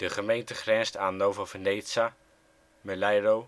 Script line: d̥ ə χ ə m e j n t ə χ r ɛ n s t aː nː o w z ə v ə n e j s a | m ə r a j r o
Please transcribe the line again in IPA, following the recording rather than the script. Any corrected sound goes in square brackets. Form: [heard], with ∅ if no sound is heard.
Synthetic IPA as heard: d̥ ə χ ə m e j n t ə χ r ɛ n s t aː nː o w [v] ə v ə n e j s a | m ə [l] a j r o